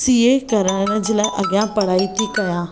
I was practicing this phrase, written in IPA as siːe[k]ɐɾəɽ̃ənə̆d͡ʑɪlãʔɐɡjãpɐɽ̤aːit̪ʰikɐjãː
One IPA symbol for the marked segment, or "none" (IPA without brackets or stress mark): k